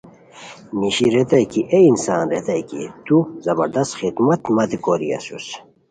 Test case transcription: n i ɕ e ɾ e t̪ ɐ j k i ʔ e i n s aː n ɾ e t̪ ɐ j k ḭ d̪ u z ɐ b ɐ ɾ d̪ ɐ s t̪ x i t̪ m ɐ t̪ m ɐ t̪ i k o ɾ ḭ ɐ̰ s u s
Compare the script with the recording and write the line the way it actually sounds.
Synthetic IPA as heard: n i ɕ i ɾ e t̪ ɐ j k i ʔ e i n s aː n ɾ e t̪ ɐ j k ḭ t̪ u z ɐ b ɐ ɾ d̪ ɐ s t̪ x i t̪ m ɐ t̪ m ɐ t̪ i k o ɾ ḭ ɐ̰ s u s